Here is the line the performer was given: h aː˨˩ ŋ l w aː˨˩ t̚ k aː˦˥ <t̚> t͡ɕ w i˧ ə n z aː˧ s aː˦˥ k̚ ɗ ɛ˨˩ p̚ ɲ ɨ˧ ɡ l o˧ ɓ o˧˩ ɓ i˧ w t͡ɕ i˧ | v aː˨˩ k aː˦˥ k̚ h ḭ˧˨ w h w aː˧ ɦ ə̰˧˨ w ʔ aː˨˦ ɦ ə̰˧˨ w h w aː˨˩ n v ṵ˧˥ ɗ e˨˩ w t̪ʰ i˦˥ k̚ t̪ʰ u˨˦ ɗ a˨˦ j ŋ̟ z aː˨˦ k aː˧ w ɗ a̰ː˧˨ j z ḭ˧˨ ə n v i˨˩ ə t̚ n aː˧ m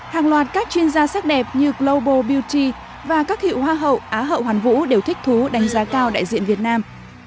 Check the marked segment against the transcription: incorrect: k̚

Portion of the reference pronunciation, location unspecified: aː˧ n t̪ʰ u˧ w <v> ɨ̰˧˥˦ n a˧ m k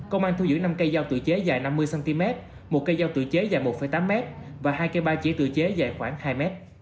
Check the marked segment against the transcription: incorrect: z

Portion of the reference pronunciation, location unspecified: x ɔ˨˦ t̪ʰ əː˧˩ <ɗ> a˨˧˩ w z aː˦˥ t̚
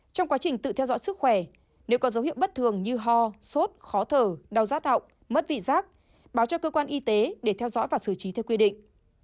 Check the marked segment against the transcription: correct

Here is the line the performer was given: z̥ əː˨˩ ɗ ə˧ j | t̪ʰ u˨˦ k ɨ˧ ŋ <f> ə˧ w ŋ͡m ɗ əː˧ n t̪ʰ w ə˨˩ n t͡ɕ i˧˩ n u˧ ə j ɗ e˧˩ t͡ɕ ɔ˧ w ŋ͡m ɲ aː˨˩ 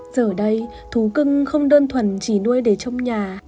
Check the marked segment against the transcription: incorrect: x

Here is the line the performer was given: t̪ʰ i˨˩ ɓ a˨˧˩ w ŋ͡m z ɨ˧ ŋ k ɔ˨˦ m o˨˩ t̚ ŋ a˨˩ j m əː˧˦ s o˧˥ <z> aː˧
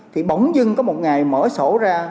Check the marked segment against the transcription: correct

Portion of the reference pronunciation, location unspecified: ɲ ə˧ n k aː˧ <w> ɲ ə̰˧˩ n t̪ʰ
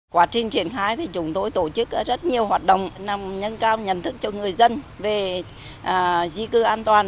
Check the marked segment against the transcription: correct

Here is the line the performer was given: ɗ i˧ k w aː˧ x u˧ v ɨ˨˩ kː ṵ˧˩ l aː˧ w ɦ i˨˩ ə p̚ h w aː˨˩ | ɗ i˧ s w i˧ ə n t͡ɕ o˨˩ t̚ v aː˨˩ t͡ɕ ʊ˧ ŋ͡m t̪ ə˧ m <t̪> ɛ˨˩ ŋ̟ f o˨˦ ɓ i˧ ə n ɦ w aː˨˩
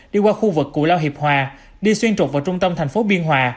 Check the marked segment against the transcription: incorrect: t̪ʰ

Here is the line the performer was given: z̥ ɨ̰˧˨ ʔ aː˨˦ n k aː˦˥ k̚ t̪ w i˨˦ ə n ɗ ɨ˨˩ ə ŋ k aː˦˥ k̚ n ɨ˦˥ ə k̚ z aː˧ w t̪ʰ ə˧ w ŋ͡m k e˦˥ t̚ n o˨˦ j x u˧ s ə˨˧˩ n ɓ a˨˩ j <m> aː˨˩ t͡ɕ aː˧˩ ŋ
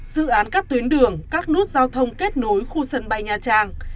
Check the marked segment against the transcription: incorrect: ɲ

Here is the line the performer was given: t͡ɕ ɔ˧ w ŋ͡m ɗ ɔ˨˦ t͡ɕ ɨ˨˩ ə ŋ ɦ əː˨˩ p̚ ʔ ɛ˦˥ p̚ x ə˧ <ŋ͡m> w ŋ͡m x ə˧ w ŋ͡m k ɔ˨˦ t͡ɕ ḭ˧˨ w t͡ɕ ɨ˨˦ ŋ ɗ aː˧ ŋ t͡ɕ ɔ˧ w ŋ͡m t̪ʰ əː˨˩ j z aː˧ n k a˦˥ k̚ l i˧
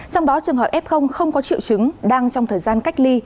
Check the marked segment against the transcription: incorrect: none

